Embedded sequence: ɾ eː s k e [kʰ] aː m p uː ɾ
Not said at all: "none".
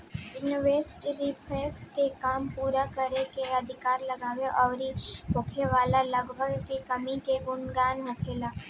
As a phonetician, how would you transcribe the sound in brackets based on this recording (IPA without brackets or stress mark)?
k